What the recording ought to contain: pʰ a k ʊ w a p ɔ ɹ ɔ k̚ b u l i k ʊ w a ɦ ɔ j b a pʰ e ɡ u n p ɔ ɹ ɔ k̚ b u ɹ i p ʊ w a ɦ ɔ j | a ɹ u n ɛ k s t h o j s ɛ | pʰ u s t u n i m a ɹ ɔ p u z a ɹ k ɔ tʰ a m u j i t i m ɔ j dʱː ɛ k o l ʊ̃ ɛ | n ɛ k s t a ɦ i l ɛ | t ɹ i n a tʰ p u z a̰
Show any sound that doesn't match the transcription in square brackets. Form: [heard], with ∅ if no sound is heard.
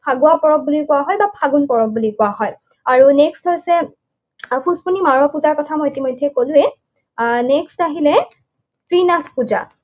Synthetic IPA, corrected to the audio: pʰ a [ɡ] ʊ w a p ɔ ɹ ɔ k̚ b u l i k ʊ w a ɦ ɔ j b a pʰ [a] ɡ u n p ɔ ɹ ɔ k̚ b u [l] i [k] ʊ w a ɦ ɔ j | a ɹ u n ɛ k s t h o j s ɛ | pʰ u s [p] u n i m a ɹ ɔ p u z a ɹ k ɔ tʰ a m [ɔ] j i t i m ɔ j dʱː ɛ k o l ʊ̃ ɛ | n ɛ k s t a ɦ i l ɛ | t ɹ i n a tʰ p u z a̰